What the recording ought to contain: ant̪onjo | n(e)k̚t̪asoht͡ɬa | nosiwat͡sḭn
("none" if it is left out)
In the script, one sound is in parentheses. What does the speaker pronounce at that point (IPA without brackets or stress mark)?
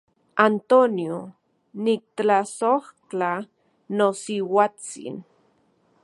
i